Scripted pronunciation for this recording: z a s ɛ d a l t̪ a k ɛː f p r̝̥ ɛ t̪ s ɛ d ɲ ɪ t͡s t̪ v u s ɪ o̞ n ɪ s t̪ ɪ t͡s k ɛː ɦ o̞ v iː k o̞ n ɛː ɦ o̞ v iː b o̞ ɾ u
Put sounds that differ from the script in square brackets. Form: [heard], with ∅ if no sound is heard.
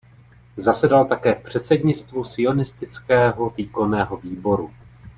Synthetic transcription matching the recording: z a s ɛ d a l t̪ a k ɛː f p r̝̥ ɛ t̪ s ɛ d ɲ ɪ t͡s t̪ v u s ɪ o̞ n ɪ s t̪ ɪ t͡s k ɛː ɦ o̞ v iː k o̞ n ɛː ɦ o̞ v iː b o̞ ɾ u